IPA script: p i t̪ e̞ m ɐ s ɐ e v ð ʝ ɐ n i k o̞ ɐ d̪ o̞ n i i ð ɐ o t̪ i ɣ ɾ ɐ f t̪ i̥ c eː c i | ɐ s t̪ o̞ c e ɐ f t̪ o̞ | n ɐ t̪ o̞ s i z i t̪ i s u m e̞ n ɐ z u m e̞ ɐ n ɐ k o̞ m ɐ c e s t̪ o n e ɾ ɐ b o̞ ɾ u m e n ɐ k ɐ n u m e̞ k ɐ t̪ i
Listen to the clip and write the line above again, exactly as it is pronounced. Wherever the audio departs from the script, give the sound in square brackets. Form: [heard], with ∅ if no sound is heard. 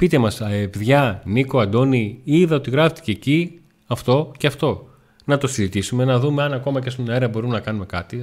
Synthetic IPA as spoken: p i t̪ e̞ m ɐ s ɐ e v ð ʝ ɐ n i k o̞ ɐ d̪ o̞ n i i ð ɐ o t̪ i ɣ ɾ ɐ f t̪ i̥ c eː c i | ɐ [f] t̪ o̞ c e ɐ f t̪ o̞ | n ɐ t̪ o̞ s i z i t̪ i s u m e̞ n ɐ [ð] u m e̞ ɐ n ɐ k o̞ m ɐ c e s t̪ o n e ɾ ɐ b o̞ ɾ u m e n ɐ k ɐ n u m e̞ k ɐ t̪ i